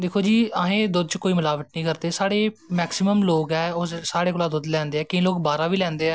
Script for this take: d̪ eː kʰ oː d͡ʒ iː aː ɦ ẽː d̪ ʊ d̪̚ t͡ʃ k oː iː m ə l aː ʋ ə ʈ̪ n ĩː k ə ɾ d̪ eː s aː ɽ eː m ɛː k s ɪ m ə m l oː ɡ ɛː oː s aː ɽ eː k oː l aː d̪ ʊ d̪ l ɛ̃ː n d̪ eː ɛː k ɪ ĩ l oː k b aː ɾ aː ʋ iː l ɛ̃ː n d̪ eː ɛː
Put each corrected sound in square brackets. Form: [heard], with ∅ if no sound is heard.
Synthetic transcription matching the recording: d̪ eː kʰ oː d͡ʒ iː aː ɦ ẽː d̪ ʊ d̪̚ t͡ʃ k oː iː m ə l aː ʋ ə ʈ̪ n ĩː k ə ɾ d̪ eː s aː ɽ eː m ɛː k s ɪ m ə m l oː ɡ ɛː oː s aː ɽ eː k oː l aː d̪ ʊ d̪ l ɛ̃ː n d̪ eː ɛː k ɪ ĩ l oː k b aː ɾ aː ʋ iː l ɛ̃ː n d̪ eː ɛː